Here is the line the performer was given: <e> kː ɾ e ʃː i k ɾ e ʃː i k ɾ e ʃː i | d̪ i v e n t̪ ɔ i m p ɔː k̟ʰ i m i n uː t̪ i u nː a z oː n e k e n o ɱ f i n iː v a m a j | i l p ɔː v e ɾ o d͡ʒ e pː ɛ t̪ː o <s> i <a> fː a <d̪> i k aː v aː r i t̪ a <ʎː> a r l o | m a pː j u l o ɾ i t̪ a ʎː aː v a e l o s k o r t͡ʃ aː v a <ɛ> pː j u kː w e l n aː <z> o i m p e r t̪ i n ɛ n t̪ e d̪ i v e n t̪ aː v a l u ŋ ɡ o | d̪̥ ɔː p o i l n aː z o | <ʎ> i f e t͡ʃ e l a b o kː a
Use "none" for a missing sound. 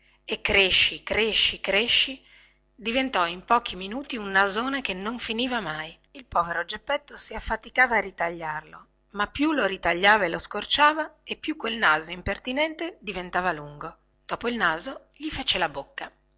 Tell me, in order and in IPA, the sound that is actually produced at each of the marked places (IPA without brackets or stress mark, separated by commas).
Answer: e, s, a, t̪, ʎː, e, z, ʎ